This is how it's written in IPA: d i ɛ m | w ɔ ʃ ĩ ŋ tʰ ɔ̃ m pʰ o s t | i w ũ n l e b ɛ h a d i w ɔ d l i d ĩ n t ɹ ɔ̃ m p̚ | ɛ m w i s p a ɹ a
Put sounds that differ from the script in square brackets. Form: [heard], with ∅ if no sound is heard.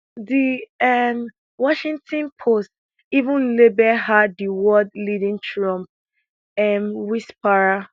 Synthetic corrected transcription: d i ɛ m | w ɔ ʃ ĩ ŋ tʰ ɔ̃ [n] pʰ o s t | i [v] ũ n l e b ɛ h a d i w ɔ d l i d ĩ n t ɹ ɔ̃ m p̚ | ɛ m w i s p a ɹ a